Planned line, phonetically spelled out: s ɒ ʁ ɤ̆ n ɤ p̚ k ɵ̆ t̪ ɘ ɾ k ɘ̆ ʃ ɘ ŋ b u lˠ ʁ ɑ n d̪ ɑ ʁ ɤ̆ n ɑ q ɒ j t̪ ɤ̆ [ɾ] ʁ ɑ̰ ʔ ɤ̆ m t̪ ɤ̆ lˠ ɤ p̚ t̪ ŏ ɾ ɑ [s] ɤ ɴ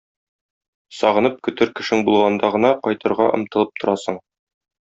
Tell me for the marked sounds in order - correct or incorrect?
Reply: correct, correct

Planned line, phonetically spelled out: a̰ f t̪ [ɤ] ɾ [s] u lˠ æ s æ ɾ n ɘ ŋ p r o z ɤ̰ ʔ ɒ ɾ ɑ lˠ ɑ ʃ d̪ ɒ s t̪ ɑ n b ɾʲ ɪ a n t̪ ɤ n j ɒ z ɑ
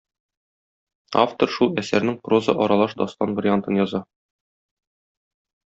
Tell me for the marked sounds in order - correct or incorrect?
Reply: incorrect, incorrect

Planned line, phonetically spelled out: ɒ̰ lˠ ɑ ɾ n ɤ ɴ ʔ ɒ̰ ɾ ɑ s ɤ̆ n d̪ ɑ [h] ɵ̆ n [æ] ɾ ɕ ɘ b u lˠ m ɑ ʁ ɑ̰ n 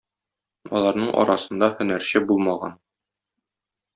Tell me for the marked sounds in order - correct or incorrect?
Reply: correct, correct

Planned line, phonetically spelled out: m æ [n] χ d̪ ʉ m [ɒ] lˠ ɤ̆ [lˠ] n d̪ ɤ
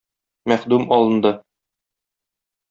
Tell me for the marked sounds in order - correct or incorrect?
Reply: incorrect, correct, incorrect

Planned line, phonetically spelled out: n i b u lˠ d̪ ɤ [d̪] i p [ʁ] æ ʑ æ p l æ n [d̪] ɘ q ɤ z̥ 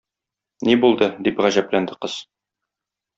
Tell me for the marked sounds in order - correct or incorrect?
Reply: correct, correct, correct

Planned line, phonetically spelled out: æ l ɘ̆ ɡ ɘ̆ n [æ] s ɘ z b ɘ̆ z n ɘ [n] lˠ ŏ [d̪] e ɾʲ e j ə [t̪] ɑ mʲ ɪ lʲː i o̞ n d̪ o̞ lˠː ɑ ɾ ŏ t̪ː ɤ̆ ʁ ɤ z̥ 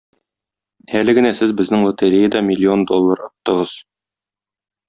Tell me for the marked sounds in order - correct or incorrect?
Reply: correct, incorrect, incorrect, incorrect

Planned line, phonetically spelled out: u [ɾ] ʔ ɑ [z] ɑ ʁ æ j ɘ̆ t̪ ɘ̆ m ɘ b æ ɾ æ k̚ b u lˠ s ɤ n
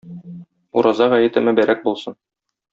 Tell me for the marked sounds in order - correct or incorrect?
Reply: correct, correct

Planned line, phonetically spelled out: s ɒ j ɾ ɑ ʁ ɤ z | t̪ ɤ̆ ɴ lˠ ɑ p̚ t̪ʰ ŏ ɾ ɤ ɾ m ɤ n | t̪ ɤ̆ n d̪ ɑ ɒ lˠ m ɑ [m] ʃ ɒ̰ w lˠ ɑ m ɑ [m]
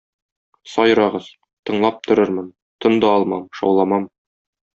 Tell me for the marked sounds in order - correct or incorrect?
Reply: correct, correct

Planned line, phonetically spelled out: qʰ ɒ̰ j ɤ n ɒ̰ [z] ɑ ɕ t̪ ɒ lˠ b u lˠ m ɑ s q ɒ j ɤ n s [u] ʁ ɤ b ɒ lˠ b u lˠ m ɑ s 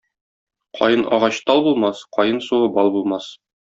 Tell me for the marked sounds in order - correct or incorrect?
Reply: incorrect, correct

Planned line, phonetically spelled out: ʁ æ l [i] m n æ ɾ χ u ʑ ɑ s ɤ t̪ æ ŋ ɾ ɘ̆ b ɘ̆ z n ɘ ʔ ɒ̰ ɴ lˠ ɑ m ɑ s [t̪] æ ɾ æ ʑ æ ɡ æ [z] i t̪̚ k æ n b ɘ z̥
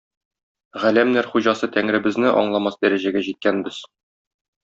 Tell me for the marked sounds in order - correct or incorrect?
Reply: incorrect, incorrect, incorrect

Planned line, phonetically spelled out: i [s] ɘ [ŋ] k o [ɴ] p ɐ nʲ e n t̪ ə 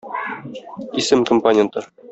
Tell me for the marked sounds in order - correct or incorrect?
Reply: correct, incorrect, incorrect

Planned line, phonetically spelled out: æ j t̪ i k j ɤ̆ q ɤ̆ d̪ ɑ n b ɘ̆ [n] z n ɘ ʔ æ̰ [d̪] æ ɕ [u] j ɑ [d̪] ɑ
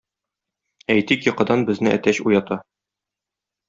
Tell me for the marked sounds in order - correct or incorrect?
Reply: incorrect, incorrect, correct, incorrect

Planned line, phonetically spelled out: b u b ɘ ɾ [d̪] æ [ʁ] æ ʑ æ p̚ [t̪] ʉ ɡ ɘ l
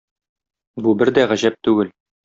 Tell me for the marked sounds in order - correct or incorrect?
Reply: correct, correct, correct

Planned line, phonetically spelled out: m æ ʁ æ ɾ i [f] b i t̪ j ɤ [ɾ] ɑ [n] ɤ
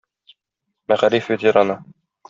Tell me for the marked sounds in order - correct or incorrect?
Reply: correct, correct, correct

